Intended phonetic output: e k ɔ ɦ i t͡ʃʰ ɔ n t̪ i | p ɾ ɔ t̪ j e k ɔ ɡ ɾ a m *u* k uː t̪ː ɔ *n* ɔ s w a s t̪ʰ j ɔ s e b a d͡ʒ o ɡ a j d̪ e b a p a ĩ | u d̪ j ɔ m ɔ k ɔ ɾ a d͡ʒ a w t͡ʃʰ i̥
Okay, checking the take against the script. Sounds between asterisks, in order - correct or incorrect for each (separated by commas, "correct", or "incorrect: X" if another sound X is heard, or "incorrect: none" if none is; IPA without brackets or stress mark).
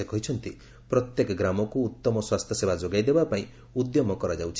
incorrect: ɔ, incorrect: m